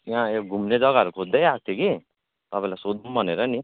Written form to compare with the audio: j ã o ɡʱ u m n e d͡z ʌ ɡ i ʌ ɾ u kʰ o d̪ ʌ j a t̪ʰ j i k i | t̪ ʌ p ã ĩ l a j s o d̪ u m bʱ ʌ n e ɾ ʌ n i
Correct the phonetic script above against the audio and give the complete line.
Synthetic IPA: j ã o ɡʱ u m n e d͡z ʌ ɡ a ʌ ɾ u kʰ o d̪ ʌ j a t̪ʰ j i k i | t̪ ʌ p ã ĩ l a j s o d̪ u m bʱ ʌ n e ɾ ʌ n i

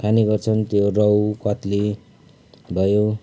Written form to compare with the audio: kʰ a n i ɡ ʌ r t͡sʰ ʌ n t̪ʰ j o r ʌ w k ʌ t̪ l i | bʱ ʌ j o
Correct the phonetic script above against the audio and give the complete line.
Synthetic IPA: kʰ a n i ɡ ʌ r t͡sʰ ʌ n t̪ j o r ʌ w k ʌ t̪ l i | bʱ ʌ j o

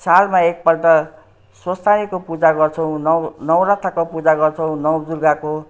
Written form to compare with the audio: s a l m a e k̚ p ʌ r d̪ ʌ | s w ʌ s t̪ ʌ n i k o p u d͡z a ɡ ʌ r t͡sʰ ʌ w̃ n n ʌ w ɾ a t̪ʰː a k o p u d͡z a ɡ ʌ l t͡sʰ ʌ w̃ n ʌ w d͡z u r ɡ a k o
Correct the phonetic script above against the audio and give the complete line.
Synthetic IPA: s a l m a e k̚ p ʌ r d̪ ʌ | s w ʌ s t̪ a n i k o p u d͡z a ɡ ʌ r t͡sʰ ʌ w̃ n n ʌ w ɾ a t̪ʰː a k o p u d͡z a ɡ ʌ r t͡sʰ ʌ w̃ n ʌ w d͡z u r ɡ a k o

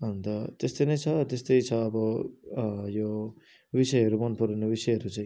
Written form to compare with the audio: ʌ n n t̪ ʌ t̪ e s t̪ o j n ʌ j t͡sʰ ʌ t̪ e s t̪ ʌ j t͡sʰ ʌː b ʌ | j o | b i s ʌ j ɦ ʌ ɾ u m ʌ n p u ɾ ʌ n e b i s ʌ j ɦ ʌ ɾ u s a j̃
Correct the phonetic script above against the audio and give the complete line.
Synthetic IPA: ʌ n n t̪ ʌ t̪ e s t̪ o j n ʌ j t͡sʰ ʌ t̪ e s t̪ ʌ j t͡sʰ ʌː b ʌ | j o | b i s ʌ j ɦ ʌ ɾ u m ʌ n p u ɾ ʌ n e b i s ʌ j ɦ ʌ ɾ u t͡s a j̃

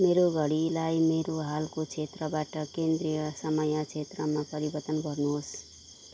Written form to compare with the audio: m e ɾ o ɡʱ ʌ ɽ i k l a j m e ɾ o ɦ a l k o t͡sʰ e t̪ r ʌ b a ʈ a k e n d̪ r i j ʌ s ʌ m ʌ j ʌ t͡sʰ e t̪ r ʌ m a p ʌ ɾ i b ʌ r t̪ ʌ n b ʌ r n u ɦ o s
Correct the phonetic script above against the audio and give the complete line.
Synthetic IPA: m e ɾ o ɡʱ ʌ ɽ i l a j m e ɾ o ɦ a l k o t͡sʰ e t̪ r ʌ b a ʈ ʌ k e n d̪ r i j ʌ s ʌ m ʌ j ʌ t͡sʰ e t̪ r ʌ m a p ʌ ɾ i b ʌ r t̪ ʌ n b ʌ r n u ɦ o s

